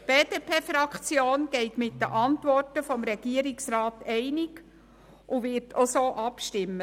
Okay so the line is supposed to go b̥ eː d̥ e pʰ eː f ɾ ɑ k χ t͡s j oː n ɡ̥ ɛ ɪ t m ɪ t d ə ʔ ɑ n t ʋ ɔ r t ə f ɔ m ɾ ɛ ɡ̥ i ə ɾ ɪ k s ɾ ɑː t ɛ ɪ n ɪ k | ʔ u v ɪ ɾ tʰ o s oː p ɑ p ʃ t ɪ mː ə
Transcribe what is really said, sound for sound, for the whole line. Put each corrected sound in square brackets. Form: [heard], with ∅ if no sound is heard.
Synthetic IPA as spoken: b̥ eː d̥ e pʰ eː f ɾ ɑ k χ t͡s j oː n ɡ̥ ɛ ɪ t m ɪ t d ə ʔ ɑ n t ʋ ɔ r t ə f ɔ m ɾ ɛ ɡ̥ i ə ɾ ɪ k s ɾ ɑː t ɛ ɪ n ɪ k | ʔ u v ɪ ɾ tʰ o s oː [ʔ] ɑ p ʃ t ɪ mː ə